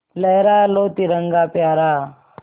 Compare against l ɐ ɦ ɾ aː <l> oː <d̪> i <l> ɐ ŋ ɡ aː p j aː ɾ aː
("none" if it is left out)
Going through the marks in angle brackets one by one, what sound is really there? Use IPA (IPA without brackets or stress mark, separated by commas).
l, t̪, ɾ